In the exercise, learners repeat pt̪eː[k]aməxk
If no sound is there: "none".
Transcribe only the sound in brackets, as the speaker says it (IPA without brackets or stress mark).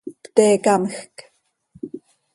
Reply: k